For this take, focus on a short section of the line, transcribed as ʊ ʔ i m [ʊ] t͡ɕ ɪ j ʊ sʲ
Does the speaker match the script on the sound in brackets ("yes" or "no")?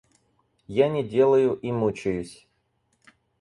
no